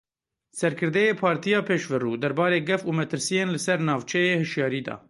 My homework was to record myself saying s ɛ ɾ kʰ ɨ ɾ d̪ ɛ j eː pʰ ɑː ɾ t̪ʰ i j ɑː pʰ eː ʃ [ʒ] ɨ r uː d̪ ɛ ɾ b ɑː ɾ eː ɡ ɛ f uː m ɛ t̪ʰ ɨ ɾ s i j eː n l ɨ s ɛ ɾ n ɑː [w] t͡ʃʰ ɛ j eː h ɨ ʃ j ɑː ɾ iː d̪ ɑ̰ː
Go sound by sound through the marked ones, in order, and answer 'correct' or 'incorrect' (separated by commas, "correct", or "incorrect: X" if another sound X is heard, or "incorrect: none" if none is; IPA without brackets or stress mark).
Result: incorrect: v, incorrect: v